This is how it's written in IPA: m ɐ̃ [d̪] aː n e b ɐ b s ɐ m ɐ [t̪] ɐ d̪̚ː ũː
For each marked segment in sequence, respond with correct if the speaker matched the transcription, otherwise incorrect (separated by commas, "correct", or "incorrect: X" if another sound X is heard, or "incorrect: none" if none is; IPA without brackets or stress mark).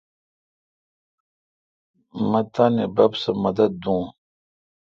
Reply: incorrect: t̪, incorrect: d̪